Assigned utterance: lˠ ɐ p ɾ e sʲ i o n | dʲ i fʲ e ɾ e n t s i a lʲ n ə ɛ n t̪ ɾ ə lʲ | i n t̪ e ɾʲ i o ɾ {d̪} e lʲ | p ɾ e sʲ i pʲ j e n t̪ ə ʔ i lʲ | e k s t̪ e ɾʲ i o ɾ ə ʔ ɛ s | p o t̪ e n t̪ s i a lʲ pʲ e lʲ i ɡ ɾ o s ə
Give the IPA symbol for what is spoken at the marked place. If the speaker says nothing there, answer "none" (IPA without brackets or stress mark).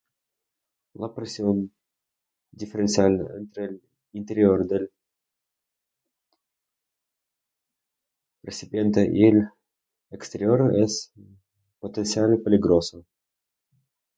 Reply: d̪